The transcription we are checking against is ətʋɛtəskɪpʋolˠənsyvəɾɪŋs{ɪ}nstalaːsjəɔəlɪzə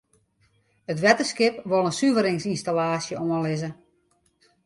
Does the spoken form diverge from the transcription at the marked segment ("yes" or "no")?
yes